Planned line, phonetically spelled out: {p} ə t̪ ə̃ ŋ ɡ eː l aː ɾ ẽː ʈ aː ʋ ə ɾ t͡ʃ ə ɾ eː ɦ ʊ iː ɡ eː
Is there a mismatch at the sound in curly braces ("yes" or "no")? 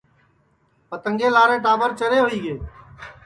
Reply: no